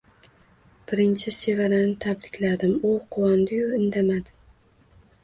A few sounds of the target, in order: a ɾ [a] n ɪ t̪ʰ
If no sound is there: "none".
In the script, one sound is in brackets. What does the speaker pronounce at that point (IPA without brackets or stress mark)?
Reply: a